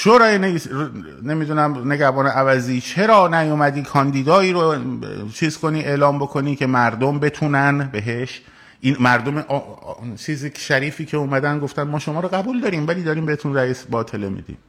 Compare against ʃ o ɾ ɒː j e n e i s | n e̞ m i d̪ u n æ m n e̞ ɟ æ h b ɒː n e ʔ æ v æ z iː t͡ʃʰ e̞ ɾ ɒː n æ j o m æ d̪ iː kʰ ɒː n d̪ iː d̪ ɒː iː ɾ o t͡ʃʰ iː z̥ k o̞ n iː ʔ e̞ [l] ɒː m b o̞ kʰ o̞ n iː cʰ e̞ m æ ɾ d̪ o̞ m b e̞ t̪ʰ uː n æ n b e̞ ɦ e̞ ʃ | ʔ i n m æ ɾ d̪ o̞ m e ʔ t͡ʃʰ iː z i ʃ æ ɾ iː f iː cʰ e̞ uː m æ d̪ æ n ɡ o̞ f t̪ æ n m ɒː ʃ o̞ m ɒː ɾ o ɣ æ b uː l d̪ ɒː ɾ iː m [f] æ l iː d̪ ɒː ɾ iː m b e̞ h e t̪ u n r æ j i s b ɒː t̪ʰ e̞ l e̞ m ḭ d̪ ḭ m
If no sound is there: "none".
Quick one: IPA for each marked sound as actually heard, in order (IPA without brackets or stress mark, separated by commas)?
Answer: l, v